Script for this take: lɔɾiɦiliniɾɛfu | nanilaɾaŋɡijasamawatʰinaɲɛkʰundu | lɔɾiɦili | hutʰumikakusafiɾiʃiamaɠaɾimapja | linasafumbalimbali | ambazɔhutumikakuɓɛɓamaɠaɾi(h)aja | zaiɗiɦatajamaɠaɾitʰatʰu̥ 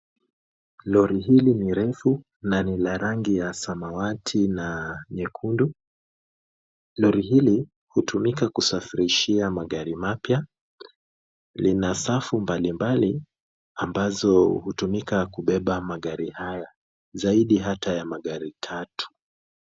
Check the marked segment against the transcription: correct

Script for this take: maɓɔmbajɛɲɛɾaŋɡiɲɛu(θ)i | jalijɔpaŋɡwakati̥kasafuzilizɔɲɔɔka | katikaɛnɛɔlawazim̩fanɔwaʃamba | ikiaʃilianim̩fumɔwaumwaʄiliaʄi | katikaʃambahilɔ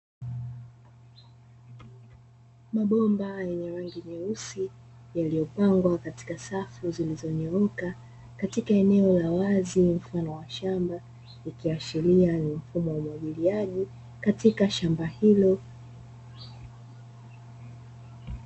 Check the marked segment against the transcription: incorrect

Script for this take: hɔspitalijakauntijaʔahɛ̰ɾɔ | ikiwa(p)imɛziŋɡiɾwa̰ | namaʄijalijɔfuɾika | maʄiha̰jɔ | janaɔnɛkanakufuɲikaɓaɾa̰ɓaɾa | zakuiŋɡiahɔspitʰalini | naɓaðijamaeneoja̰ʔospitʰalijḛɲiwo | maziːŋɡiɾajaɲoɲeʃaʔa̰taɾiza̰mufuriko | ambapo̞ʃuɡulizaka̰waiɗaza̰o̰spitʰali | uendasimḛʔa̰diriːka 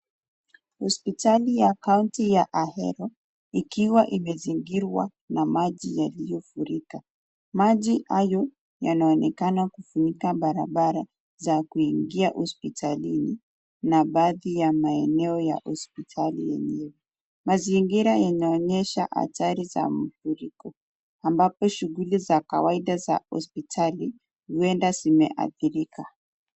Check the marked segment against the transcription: incorrect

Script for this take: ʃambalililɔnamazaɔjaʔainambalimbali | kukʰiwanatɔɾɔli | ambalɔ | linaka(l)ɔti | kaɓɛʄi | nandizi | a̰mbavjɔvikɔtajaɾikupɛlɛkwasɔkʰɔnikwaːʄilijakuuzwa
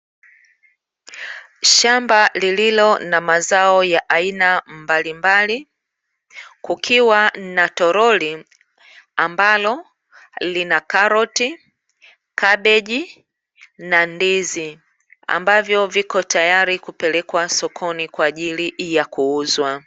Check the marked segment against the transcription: incorrect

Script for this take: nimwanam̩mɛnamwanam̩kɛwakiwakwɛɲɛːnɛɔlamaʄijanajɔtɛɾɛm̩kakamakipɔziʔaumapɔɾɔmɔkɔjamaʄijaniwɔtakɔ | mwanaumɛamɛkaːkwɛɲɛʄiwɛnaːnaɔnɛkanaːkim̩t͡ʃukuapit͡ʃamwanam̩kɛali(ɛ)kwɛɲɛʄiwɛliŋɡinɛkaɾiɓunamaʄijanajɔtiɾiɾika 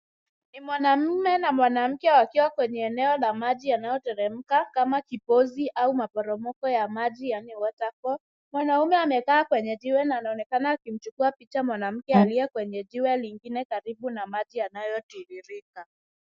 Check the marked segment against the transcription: correct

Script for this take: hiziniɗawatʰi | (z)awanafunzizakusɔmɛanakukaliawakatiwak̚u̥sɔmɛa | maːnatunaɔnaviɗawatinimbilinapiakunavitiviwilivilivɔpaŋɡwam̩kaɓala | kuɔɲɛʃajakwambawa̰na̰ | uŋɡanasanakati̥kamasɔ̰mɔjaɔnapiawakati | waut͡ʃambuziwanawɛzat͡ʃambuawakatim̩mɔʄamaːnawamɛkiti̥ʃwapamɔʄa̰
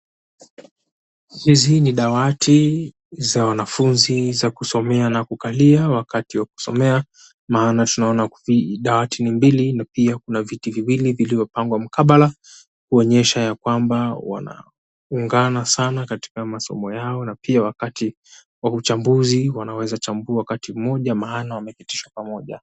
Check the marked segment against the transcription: correct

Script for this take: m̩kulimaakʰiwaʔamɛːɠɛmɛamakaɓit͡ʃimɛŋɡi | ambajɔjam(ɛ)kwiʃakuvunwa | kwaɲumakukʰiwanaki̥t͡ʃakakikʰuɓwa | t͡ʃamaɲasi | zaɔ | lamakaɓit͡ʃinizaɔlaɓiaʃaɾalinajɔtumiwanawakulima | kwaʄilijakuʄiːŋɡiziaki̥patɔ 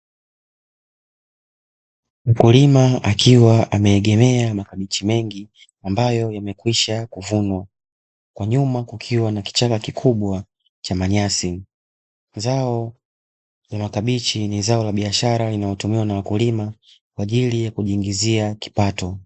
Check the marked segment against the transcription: correct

